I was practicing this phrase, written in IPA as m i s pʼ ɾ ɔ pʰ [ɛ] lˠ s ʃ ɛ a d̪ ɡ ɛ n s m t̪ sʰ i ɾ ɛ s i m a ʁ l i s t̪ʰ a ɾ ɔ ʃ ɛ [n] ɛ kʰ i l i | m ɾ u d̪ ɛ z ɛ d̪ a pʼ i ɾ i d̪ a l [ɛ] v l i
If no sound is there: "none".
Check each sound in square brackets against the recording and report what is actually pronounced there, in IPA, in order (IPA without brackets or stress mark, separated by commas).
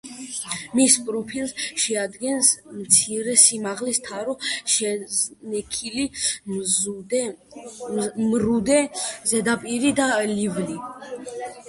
i, n, i